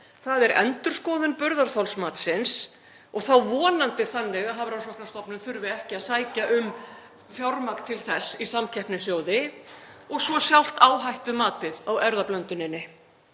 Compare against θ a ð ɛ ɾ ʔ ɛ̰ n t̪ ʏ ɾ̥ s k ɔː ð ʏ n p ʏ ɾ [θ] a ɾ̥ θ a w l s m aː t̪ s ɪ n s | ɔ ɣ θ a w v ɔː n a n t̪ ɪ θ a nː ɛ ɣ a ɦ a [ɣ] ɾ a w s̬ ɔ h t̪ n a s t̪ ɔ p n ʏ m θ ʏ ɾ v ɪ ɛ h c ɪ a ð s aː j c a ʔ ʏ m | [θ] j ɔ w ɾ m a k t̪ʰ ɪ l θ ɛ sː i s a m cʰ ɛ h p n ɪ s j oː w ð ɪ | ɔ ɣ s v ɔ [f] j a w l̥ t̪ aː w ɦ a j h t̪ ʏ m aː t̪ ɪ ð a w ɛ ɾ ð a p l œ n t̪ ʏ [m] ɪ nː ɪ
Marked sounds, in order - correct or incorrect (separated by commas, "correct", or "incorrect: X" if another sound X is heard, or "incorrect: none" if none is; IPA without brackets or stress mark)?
incorrect: ð, incorrect: v, incorrect: f, incorrect: s, incorrect: n